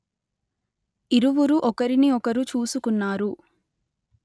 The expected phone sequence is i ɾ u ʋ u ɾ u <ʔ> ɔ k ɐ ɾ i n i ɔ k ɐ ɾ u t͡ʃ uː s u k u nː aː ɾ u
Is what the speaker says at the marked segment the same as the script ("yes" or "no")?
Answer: yes